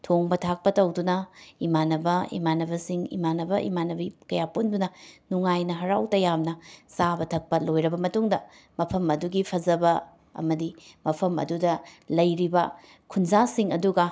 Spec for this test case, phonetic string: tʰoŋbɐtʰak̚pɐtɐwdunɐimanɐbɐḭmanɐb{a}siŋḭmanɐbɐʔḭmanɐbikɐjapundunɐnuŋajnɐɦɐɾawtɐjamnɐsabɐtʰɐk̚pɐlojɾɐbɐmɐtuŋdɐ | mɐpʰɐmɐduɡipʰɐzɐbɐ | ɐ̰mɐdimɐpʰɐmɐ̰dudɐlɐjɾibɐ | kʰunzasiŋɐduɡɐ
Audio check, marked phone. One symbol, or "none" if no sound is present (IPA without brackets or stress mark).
ɐ